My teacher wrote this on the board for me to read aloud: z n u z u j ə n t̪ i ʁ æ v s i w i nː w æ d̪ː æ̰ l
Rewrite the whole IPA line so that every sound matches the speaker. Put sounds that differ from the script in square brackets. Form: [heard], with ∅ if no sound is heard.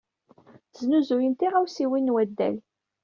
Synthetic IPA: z n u z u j ə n t̪ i ʁ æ [w] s i w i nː w æ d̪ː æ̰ l